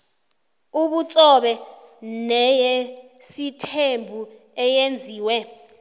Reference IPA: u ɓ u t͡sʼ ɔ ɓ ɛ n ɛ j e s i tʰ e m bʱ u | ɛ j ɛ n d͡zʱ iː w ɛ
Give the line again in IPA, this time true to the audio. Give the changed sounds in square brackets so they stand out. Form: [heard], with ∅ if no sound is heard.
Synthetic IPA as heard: u ɓ u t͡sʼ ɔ ɓ ɛ n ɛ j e s i tʰ e m bʱ u | ɛ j [e] n d͡zʱ iː w ɛ